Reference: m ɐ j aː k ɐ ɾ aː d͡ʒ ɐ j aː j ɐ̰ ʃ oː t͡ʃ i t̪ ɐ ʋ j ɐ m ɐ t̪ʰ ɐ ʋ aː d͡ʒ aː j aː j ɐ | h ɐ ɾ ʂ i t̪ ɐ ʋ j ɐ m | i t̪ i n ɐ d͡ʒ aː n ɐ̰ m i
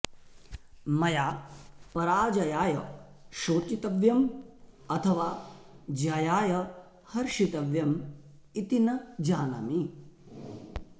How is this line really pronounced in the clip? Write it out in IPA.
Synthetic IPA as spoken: m ɐ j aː p ɐ ɾ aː d͡ʒ ɐ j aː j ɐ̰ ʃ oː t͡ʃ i t̪ ɐ ʋ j ɐ m ɐ t̪ʰ ɐ ʋ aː d͡ʒ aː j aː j ɐ | h ɐ ɾ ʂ i t̪ ɐ ʋ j ɐ m | i t̪ i n ɐ d͡ʒ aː n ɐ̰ m i